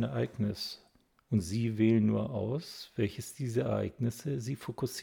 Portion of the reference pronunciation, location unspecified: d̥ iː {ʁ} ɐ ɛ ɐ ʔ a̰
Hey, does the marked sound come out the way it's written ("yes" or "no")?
no